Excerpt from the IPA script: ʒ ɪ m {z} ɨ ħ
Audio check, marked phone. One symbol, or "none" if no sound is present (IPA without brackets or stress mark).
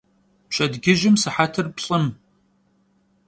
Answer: s